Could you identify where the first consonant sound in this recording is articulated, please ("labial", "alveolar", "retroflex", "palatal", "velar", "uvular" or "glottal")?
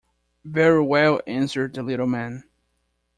labial